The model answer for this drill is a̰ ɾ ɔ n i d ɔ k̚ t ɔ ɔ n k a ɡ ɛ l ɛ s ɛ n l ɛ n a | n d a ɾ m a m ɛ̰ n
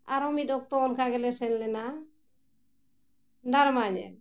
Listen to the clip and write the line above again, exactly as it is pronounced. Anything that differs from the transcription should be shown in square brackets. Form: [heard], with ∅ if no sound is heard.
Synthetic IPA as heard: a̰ ɾ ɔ [m] i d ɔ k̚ t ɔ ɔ n k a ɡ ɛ l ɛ s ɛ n l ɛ n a | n d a ɾ m a [ɲ] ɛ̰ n